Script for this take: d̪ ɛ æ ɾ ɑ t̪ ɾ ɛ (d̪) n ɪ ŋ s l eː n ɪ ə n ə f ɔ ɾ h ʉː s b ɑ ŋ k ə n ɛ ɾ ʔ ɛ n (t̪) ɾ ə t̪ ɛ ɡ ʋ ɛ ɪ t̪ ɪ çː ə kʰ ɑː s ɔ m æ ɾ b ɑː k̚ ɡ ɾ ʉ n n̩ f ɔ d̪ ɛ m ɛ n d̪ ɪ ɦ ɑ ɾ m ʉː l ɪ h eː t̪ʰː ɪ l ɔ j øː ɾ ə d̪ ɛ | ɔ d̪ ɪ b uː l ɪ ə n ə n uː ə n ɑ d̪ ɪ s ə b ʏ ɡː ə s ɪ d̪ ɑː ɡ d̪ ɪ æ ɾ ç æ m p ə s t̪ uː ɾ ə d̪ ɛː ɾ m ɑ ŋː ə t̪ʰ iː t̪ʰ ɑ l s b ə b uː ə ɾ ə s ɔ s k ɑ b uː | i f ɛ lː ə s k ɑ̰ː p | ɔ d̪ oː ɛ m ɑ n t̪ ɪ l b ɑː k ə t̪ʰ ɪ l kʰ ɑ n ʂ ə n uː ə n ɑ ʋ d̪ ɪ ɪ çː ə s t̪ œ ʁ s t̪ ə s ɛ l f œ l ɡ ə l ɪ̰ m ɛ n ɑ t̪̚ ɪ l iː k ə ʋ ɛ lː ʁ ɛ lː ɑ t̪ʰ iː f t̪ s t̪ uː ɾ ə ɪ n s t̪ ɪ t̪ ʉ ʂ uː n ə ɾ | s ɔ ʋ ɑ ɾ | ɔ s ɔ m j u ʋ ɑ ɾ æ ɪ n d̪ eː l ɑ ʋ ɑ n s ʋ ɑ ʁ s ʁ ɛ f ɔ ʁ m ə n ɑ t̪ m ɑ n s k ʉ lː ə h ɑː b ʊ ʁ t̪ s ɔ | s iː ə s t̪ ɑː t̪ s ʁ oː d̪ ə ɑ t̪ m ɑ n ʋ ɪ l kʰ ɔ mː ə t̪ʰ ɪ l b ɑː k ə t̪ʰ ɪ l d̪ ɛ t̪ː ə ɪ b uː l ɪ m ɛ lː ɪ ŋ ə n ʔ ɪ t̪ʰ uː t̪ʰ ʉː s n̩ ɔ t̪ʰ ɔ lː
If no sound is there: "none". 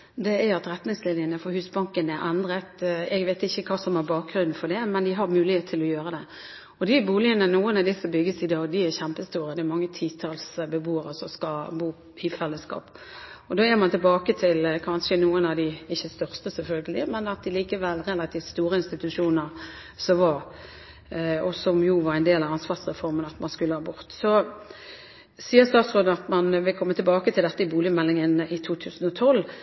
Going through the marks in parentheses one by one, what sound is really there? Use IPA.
t̪, d̪

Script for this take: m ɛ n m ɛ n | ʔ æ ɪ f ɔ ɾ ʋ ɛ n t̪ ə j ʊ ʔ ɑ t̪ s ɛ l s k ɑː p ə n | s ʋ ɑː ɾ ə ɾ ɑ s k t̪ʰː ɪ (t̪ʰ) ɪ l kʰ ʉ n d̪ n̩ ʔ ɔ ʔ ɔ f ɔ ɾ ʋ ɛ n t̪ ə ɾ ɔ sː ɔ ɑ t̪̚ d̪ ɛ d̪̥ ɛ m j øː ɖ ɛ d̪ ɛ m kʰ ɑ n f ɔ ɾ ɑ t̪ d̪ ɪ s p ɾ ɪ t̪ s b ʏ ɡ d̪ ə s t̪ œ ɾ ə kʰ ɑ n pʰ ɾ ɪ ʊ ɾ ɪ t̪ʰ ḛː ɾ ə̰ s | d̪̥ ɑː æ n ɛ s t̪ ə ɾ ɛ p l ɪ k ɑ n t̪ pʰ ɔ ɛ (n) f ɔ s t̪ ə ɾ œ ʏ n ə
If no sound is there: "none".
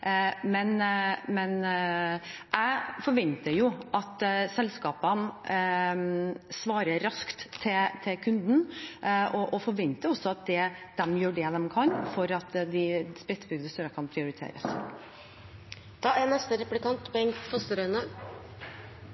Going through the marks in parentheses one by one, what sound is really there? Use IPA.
t̪ʰ, ŋ

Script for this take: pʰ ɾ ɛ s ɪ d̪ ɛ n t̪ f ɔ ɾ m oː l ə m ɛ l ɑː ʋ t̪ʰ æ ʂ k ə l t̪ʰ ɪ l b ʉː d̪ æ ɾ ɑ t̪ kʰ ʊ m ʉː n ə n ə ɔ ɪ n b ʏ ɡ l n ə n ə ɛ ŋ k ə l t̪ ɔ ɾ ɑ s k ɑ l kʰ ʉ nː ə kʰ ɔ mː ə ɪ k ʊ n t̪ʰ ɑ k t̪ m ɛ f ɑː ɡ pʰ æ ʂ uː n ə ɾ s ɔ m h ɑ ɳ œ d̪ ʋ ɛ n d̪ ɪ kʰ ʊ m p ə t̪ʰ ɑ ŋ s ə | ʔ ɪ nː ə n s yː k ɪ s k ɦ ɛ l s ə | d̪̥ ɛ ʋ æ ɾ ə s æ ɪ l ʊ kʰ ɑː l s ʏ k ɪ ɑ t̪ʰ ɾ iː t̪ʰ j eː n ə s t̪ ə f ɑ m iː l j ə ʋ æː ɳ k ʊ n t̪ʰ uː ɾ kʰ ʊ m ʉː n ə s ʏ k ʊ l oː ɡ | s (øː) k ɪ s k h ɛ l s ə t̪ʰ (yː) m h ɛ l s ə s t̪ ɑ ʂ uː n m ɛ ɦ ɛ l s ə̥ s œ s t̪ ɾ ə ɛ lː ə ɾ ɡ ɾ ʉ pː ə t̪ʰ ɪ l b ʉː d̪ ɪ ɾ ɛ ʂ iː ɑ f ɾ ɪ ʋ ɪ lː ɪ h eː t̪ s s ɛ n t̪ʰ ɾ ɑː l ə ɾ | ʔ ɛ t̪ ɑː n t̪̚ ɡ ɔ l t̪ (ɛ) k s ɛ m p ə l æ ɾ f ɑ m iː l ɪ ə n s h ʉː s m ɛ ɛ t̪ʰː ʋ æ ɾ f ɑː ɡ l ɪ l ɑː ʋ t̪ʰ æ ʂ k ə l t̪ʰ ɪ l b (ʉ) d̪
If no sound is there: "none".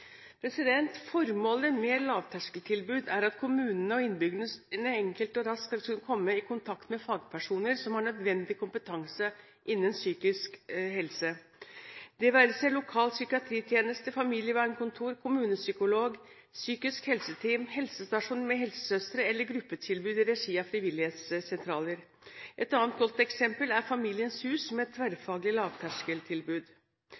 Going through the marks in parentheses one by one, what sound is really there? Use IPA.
yː, iː, ɛ, ʉː

